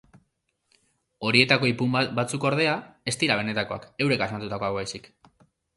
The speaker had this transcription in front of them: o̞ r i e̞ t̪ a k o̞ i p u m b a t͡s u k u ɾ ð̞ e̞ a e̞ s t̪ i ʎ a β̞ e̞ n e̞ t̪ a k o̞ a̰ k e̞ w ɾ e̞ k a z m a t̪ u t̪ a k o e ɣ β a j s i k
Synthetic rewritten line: o̞ ɾ i e̞ t̪ a k o̞ i p u m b a t͡s u k o ɾ ð̞ e̞ a e̞ s t̪ i ɾ a β̞ e̞ n e̞ t̪ a k o̞ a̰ k e̞ w ɾ e̞ k a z m a t̪ u t̪ a k o a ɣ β a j s i k